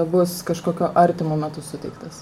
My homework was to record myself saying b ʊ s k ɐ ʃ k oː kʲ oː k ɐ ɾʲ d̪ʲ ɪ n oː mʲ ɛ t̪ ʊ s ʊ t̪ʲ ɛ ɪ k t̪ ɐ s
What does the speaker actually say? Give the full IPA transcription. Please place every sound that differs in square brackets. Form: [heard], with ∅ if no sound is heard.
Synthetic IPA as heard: b ʊ s k ɐ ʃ k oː kʲ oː [ʔ] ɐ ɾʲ [t̪ʲ] ɪ [m] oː mʲ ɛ t̪ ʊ s ʊ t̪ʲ ɛ ɪ k t̪ ɐ s